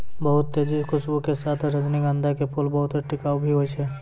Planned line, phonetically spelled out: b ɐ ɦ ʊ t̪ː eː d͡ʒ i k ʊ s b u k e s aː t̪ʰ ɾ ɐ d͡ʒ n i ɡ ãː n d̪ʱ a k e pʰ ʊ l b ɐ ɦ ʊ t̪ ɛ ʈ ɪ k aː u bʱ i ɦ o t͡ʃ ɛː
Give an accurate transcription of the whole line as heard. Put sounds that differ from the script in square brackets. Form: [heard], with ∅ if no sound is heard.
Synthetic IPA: b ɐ ɦ ʊ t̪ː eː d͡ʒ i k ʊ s b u k e s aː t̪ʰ ɾ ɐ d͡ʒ n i ɡ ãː n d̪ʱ a k e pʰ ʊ l b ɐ ɦ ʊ t̪ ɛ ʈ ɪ k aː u bʱ i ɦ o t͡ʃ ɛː